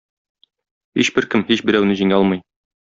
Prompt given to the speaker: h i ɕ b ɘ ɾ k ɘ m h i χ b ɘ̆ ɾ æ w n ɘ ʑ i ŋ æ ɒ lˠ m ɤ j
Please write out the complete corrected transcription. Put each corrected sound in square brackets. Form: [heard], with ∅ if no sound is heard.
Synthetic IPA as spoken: h i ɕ b ɘ ɾ k ɘ m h i [ɕ] b ɘ̆ ɾ æ w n ɘ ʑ i ŋ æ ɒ lˠ m ɤ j